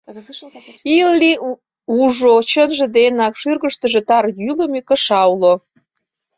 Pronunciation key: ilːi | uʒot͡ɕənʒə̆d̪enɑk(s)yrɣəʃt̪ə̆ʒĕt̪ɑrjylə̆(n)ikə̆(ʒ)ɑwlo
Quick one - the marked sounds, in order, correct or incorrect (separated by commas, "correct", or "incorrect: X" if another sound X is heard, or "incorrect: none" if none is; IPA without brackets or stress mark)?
incorrect: ʃ, incorrect: m, incorrect: ʃ